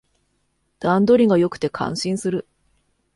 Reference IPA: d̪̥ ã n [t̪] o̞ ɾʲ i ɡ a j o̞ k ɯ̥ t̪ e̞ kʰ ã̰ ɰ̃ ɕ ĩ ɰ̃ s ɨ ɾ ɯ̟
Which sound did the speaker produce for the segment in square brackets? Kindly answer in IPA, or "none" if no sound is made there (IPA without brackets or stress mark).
d̪